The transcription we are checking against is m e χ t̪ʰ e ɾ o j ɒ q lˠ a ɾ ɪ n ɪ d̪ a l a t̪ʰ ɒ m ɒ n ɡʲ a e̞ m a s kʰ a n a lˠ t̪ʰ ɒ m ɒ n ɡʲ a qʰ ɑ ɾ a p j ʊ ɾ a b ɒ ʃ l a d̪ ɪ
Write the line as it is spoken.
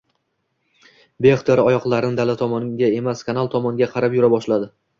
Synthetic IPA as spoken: b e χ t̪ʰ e ɾ ɒ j ɒ q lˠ a ɾ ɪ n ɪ d̪ a l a t̪ʰ ɒ m ɒ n ɡʲ a e̞ m a s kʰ a n a lˠ t̪ʰ ɒ m ɒ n ɡʲ a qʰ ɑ ɾ a p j ʊ ɾ a b ɒ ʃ l a d̪ ɪ